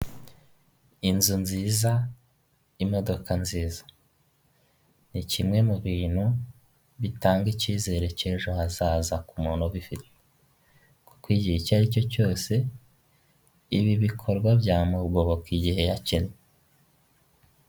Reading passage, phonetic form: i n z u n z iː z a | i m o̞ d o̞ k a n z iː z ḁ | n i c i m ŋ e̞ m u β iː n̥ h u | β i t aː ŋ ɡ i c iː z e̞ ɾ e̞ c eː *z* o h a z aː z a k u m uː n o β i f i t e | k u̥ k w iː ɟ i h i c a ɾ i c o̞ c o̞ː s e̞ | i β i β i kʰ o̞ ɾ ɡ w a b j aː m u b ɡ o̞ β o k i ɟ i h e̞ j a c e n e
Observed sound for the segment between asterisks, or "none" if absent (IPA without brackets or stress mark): ʒ